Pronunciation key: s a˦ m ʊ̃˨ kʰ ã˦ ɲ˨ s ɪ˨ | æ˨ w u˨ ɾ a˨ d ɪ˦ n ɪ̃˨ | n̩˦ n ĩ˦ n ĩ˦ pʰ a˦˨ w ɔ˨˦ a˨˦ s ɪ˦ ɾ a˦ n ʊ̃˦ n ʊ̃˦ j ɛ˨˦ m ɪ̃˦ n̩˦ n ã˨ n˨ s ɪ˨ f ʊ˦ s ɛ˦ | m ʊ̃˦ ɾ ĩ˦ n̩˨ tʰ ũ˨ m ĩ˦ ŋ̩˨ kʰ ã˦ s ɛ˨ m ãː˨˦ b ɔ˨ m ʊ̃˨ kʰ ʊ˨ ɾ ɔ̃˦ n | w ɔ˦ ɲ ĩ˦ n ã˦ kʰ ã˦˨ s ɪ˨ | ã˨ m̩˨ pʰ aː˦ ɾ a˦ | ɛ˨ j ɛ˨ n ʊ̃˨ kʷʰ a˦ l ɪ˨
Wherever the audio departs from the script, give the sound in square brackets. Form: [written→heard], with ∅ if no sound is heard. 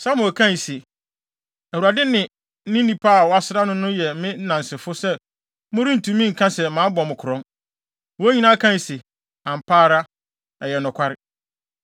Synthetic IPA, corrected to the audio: s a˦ m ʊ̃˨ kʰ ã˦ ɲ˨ s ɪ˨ | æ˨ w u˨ ɾ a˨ d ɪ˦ n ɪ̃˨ | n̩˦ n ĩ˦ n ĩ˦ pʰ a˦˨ w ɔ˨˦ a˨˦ s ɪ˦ ɾ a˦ n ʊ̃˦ n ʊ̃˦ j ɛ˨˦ m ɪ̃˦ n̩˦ n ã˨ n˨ s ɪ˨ f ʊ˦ s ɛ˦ | m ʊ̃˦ ɾ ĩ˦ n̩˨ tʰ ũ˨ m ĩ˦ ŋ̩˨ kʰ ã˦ s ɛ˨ m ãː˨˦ b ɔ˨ m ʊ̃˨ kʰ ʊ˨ ɾ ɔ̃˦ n | w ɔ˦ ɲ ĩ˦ n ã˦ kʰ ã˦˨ s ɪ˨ | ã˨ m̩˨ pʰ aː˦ ɾ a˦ | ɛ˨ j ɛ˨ n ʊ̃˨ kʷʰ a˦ [l→ɾ] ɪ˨